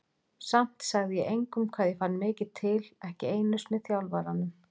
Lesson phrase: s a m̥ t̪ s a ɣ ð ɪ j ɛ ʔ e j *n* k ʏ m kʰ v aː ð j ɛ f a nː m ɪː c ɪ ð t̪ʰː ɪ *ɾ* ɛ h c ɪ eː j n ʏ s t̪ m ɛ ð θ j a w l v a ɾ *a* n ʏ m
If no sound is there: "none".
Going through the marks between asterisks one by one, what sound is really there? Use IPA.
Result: ŋ, l, a

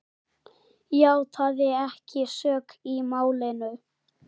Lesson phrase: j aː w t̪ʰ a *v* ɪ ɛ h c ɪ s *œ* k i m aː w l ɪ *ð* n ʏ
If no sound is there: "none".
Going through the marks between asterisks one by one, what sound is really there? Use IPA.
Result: ð, œː, none

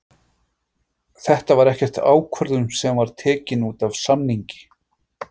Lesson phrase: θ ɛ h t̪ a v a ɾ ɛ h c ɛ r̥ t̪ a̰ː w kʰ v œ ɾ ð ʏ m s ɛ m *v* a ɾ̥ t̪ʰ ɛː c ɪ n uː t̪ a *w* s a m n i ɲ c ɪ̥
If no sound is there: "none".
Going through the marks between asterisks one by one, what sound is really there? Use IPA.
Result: v, v

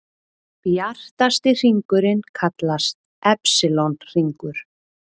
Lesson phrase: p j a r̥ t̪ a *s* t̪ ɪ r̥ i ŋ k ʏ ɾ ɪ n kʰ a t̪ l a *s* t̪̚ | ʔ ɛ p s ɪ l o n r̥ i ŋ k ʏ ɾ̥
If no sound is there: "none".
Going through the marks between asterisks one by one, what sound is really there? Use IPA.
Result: s, s

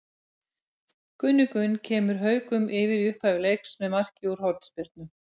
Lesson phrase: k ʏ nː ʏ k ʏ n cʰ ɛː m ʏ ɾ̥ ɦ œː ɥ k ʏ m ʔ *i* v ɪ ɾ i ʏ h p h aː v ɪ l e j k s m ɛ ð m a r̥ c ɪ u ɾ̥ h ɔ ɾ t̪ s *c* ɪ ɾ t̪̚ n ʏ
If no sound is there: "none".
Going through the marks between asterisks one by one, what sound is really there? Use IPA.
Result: ɪ, p

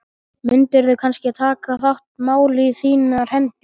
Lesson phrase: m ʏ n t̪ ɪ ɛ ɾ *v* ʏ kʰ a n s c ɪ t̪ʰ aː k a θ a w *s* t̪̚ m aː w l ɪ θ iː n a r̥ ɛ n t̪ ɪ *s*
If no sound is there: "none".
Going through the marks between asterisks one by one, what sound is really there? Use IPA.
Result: ð, h, none

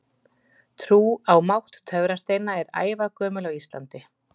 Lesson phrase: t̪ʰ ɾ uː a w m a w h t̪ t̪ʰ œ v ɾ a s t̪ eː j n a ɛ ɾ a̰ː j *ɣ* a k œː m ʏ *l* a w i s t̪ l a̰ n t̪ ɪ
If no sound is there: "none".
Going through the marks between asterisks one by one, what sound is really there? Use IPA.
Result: v, l

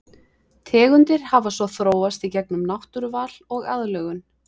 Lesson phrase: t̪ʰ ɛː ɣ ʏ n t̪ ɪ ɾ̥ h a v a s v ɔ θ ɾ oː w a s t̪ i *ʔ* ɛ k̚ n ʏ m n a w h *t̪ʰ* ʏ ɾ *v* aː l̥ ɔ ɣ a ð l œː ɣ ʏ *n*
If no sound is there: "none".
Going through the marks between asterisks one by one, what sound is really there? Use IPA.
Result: c, t̪, v, n

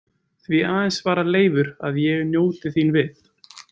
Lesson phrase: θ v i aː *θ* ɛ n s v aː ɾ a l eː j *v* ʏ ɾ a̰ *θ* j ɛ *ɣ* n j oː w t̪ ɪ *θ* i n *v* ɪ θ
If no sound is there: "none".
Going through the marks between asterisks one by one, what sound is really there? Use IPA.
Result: ð, v, ð, ɣ, θ, v

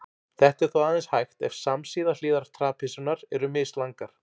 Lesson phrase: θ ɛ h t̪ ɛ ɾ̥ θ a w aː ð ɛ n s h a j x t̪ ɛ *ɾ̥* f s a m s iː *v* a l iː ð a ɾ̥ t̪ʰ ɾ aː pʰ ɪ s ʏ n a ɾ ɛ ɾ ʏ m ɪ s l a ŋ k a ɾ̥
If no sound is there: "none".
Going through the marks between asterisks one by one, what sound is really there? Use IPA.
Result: none, ð

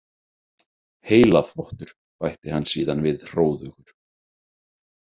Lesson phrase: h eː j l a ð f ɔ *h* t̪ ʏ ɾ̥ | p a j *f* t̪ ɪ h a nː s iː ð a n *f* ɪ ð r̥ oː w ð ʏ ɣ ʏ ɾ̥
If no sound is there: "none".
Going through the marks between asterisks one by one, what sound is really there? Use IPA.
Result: h, h, v

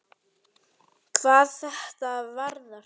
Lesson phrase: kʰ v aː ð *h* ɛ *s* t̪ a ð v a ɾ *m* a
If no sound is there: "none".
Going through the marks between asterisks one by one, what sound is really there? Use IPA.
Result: θ, h, n

